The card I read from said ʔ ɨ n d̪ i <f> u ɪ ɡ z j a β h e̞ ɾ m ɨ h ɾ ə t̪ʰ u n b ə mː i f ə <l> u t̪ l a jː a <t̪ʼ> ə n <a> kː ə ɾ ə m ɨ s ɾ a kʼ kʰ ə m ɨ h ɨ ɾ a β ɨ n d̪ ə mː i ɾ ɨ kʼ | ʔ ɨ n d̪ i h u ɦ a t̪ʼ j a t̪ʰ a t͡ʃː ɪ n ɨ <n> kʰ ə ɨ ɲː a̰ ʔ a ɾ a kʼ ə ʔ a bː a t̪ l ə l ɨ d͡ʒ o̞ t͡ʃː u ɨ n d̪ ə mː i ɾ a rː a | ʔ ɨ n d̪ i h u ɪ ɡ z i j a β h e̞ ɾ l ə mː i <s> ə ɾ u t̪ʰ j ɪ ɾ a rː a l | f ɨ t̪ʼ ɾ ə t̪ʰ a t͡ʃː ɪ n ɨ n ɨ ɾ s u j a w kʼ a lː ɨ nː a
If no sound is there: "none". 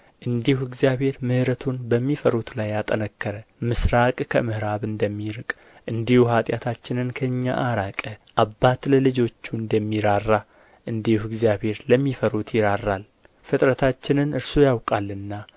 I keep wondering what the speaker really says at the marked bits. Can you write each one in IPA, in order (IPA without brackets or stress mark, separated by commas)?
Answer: h, ɾ, t̪ʼ, ə, n, f